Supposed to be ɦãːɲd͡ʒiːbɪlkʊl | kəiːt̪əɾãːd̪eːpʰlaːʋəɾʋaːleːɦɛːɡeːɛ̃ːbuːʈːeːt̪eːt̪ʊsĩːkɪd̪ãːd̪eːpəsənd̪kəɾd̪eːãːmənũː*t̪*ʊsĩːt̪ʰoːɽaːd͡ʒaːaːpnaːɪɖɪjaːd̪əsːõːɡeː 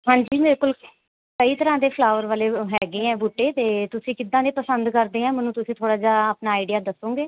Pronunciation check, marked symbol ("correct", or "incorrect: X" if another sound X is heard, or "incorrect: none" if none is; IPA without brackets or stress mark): correct